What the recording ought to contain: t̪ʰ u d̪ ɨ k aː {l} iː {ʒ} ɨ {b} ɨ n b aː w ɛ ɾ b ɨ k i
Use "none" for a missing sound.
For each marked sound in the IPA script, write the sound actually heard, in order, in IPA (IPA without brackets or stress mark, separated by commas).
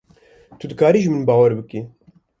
ɾ, ʒ, m